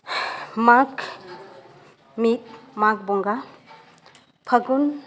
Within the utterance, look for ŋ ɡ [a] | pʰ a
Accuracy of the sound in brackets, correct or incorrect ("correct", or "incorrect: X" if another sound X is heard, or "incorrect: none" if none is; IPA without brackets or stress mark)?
correct